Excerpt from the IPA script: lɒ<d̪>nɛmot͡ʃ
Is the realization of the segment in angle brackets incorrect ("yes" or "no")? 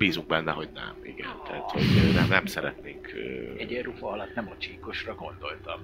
yes